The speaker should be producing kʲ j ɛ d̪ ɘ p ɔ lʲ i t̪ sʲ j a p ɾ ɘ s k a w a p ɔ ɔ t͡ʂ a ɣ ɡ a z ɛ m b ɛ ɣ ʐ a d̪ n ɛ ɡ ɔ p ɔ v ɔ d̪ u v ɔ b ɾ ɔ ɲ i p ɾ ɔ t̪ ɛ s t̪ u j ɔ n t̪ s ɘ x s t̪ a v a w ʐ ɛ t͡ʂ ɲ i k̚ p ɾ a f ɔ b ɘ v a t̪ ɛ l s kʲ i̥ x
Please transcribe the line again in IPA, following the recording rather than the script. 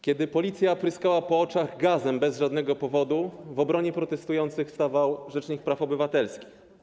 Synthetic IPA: kʲ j ɛ d̪ ɘ p ɔ lʲ i t̪ sʲ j a p ɾ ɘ s k a w a p ɔ ɔ t͡ʂ a ɣ ɡ a z ɛ m b ɛ z ʐ a d̪ n ɛ ɡ ɔ p ɔ v ɔ d̪ u v ɔ b ɾ ɔ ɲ ɛ p ɾ ɔ t̪ ɛ s t̪ u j ɔ n t̪ s ɘ x s t̪ a v a w ʐ ɛ t͡ʂ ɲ i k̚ p ɾ a f ɔ b ɘ v a t̪ ɛ l s kʲ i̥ x